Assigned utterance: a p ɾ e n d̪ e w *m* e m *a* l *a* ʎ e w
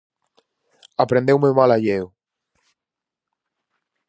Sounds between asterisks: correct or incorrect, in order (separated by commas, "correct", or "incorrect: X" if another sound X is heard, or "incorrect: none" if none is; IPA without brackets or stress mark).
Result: correct, correct, correct